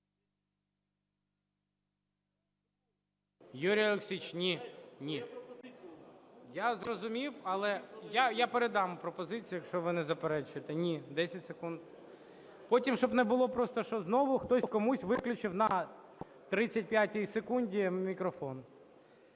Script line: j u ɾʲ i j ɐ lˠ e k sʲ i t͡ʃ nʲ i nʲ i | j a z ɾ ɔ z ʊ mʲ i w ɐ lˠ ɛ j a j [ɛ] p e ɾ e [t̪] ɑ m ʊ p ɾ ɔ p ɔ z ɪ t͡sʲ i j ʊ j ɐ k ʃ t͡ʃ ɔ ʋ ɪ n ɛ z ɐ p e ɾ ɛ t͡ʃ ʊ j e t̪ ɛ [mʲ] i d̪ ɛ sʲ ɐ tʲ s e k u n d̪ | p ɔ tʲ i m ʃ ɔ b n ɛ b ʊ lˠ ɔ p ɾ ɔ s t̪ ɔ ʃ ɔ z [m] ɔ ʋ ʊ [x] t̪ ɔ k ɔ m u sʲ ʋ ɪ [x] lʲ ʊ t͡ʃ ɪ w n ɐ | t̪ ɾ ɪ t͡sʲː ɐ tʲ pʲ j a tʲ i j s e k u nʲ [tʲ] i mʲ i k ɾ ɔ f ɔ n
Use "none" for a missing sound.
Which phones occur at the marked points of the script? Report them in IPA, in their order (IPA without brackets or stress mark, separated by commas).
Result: a, d̪, nʲ, n, x, k, dʲ